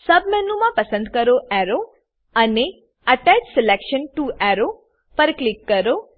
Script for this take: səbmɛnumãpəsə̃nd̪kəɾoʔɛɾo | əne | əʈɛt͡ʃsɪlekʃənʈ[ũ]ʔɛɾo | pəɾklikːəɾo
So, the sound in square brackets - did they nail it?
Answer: no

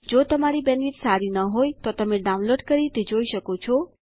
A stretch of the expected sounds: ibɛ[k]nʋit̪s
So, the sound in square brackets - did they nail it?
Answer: no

